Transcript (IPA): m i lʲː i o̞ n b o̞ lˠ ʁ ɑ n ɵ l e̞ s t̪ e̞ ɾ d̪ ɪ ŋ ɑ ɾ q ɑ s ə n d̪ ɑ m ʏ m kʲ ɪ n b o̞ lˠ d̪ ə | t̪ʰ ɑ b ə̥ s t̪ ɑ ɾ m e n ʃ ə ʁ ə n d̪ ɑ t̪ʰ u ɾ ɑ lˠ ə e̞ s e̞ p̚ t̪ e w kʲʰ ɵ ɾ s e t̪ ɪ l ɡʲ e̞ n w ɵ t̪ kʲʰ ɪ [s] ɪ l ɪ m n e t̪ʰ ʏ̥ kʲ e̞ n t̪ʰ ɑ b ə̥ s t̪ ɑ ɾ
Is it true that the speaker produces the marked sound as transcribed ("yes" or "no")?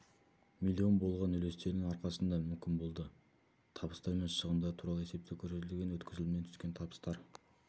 no